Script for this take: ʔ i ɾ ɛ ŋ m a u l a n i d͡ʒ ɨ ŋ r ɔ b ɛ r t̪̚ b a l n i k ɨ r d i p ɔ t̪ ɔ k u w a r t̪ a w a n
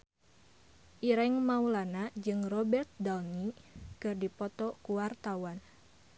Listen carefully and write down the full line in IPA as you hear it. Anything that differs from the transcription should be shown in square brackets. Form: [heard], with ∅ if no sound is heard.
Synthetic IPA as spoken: ʔ i ɾ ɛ ŋ m a u l a n [a] d͡ʒ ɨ ŋ r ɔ b ɛ r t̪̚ [d] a l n i k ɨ r d i p ɔ t̪ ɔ k u w a r t̪ a w a n